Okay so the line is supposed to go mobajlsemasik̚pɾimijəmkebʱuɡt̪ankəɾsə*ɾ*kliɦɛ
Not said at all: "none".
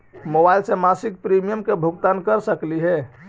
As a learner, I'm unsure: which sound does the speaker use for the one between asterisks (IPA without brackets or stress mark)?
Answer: none